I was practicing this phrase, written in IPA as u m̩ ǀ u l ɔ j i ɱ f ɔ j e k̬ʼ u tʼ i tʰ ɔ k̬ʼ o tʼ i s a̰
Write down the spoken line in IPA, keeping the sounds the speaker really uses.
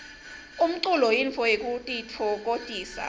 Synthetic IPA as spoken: u m̩ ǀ u l ɔ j i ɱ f ɔ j e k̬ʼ u tʼ i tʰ ɔ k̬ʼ o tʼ iː s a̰

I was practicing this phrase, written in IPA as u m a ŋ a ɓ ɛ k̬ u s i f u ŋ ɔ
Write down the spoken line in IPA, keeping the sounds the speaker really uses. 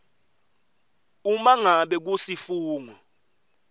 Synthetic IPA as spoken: u m a ŋ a ɓ ɛ k̬ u s i f uː ŋ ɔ

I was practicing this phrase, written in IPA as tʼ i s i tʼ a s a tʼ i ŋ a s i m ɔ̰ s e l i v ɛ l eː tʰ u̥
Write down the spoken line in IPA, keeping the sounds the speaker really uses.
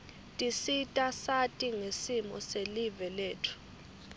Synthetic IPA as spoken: tʼ i s i tʼ a s a tʼ i ŋ e s i m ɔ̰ s e l i v ɛ l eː tʰ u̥

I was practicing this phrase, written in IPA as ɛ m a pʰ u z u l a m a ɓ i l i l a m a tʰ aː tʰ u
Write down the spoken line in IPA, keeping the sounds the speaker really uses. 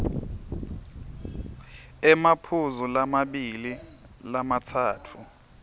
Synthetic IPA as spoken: ɛ m a pʰ u z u l a m a ɓ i l i l a m a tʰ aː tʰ u

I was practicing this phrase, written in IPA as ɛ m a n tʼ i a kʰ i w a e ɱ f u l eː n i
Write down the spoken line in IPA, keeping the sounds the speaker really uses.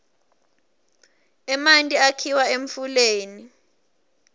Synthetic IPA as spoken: ɛ m a n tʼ i a kʰ i w a e ɱ f u l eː n i

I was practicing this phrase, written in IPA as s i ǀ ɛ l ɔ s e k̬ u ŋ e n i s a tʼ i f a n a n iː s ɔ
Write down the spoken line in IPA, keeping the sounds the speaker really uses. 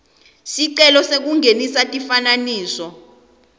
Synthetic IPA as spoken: s i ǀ ɛ l ɔ s e k̬ u ŋ e n i s a tʼ i f a n a n iː s ɔ

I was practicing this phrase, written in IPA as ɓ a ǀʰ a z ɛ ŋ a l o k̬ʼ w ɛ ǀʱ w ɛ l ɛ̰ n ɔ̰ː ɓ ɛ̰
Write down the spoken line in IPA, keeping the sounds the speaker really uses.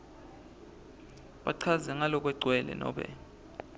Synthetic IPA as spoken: ɓ a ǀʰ a z ɛ ŋ a l ɔ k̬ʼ w ɛ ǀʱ w ɛ l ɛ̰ n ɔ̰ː ɓ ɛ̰

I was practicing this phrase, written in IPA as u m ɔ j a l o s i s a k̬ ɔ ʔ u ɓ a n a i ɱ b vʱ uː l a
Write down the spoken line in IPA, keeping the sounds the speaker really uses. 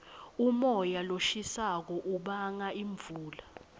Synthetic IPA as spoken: u m ɔ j a l o ʃ i s a k̬ ɔ ʔ u ɓ a ŋ a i ɱ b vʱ uː l a

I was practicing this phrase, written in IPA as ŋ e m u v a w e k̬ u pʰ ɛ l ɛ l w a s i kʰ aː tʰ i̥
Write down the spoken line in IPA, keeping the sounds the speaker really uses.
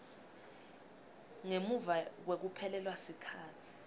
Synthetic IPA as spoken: ŋ e m u v a w e k̬ u pʰ ɛ l ɛ l w a s i kʰ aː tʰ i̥

